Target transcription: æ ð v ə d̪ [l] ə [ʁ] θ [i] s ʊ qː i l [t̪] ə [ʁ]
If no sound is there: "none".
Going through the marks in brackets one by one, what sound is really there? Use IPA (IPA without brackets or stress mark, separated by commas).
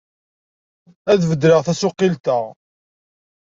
ɾ, ʁ, æ, t̪, ʁ